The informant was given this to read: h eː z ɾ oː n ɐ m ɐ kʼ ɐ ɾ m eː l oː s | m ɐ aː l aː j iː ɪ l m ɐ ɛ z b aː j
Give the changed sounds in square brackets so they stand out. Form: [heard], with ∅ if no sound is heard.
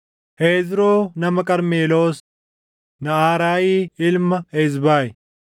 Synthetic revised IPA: h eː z ɾ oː n ɐ m ɐ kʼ ɐ ɾ m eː l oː s | [n] ɐ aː [ɾ] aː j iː ɪ l m ɐ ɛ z b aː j